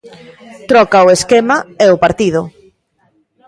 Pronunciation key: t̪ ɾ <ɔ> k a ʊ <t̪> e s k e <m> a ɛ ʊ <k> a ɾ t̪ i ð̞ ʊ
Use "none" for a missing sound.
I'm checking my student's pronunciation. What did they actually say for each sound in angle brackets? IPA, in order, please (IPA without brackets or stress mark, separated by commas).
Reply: ɔ, none, m, p